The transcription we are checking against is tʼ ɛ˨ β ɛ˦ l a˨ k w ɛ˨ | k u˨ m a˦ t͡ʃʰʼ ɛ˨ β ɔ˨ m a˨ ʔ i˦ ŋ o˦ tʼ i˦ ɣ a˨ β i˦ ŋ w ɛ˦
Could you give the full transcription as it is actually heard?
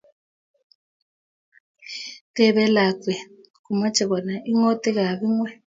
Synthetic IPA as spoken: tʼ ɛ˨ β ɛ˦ l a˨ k w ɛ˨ | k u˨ m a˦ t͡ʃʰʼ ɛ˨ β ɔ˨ n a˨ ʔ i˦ ŋ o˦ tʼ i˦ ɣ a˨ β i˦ ŋ w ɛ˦